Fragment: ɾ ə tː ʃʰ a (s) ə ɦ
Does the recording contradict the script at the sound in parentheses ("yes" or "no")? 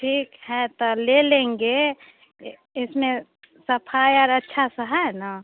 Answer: no